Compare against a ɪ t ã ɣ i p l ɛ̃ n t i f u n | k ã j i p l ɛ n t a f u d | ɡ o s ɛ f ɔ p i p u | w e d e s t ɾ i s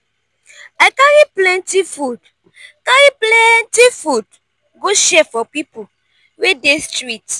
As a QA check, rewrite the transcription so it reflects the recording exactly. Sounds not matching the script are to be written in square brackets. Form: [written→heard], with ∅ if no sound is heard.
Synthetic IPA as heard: a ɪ [t→k] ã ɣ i p l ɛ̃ n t i f u [n→d] | k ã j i p l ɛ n t [a→i] f u d | ɡ o [s→ʃ] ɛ f ɔ p i p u | w e d e s t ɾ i [s→t]